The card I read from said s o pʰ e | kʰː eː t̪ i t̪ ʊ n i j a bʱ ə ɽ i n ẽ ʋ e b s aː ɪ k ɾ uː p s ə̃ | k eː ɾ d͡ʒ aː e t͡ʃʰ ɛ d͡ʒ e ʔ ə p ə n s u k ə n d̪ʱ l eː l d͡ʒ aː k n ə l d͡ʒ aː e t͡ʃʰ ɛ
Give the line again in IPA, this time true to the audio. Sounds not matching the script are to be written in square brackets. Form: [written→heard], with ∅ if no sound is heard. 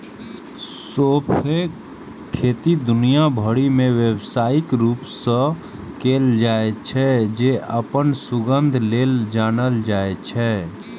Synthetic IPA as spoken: s o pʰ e | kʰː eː t̪ i [t̪→d̪] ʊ n i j a bʱ ə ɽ i [n→m] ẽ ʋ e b s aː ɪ k ɾ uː p s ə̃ | k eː [ɾ→l] d͡ʒ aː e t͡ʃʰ ɛ d͡ʒ e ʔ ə p ə n s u [k→ɡ] ə n d̪ʱ l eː l d͡ʒ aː [k→∅] n ə l d͡ʒ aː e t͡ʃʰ ɛ